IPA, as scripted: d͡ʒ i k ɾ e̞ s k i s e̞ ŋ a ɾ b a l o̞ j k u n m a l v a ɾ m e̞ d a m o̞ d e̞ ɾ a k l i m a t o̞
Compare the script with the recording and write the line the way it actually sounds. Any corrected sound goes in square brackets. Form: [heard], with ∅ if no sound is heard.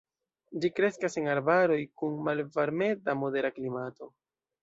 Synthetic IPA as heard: d͡ʒ i k ɾ e̞ s k [a] s e̞ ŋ a ɾ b a [ɾ] o̞ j k u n m a l v a ɾ m e̞ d a m o̞ d e̞ ɾ a k l i m a t o̞